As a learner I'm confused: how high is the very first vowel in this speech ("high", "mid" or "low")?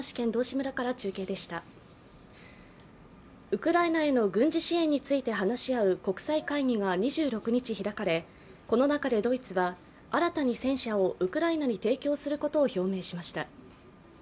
high